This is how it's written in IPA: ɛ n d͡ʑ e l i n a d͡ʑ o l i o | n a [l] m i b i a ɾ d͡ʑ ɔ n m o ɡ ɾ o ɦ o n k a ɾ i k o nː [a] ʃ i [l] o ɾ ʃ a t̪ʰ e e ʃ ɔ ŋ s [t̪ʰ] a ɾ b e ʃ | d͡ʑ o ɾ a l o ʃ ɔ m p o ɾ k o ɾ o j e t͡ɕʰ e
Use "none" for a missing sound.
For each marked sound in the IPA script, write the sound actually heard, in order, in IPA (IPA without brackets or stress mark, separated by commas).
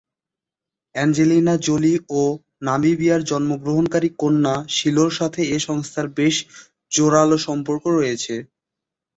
none, a, l, t̪ʰ